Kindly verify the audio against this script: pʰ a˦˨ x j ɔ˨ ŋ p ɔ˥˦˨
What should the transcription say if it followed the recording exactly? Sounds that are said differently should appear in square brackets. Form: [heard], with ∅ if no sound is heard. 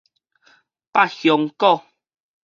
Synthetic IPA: [p] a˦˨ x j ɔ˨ ŋ [k] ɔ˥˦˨